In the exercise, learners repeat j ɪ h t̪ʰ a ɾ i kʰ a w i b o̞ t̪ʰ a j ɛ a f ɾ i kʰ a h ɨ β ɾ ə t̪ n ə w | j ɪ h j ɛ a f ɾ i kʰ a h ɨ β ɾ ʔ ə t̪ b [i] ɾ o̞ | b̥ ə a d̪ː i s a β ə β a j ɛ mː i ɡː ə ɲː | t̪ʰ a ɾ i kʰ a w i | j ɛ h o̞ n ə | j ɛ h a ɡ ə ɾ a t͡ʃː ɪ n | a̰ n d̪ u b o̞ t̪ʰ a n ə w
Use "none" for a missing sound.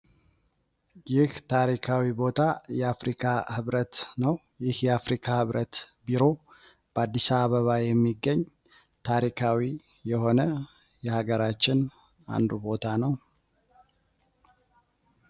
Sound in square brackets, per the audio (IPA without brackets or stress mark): i